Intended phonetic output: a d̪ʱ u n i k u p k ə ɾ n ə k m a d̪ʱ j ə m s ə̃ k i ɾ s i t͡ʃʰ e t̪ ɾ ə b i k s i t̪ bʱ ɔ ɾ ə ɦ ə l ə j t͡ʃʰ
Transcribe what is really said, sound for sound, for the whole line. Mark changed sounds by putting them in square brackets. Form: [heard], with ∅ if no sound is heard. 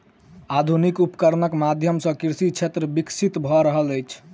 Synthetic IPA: a d̪ʱ u n i k u p k ə ɾ n ə k m a d̪ʱ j ə m s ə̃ k i ɾ s i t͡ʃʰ e t̪ ɾ ə b i k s i t̪ bʱ ɔ ɾ ə ɦ ə l ə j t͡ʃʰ